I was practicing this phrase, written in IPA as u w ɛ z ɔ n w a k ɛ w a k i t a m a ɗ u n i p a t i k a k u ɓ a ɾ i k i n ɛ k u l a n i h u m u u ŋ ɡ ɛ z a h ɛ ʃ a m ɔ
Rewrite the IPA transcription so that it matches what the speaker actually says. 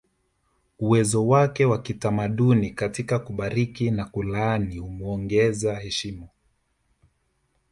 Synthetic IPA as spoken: u w ɛ z ɔ w a k ɛ w a k i t a m a ɗ u n i k a t i k a k u ɓ a ɾ i k i n a k u l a n i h u m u ɔ ŋ ɡ ɛ z a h ɛ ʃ i m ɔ